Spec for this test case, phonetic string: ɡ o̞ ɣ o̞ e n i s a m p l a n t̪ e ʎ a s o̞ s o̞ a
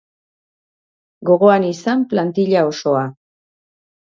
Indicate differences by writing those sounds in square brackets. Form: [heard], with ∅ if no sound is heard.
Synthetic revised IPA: ɡ o̞ ɣ o̞ [a] n i s a m p l a n t̪ [i] ʎ a [∅] o̞ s o̞ a